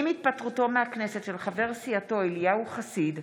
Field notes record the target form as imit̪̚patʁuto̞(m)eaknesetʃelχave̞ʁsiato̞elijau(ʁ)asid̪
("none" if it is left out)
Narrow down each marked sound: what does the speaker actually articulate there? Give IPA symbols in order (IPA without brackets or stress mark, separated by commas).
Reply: m, χ